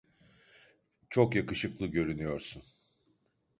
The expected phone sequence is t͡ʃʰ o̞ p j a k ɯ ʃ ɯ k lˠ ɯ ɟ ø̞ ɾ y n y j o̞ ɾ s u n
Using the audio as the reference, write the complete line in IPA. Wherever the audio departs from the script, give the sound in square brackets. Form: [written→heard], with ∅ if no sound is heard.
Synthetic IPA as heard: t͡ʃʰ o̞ [p→k] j a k ɯ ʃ ɯ k lˠ ɯ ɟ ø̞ ɾ y n y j o̞ ɾ s u n